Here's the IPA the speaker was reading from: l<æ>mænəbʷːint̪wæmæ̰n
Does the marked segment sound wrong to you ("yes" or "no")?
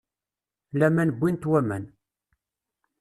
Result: no